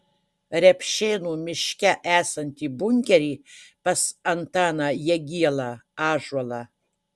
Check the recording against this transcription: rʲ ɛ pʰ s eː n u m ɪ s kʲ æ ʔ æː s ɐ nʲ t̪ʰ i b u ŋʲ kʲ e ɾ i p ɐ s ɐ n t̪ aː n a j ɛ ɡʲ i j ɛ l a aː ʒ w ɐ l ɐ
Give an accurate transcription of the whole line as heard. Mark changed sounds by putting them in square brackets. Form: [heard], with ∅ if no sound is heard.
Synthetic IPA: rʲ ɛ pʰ [ʃ] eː n u m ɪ [ʃ] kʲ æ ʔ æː s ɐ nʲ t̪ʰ i b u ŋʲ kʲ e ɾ i p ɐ s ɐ n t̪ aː n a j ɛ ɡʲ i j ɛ l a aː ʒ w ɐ l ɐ